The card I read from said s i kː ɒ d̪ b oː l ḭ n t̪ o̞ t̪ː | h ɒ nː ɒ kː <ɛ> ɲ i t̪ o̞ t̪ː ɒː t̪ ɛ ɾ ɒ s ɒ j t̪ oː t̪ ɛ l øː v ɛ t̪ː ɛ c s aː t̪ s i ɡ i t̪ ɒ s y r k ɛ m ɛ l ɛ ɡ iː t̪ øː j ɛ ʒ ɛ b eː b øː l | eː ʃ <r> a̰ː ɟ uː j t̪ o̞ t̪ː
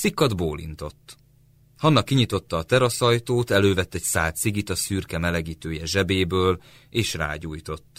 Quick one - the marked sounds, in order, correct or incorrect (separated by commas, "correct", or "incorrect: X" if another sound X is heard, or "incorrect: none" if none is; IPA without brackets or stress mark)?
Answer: incorrect: i, correct